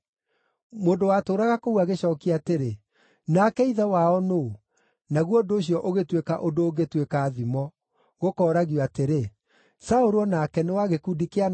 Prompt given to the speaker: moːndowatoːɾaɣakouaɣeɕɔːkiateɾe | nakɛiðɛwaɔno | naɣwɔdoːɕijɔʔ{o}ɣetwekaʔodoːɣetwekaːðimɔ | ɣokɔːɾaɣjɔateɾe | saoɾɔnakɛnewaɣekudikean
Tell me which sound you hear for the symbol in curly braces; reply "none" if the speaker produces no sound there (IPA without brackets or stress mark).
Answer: o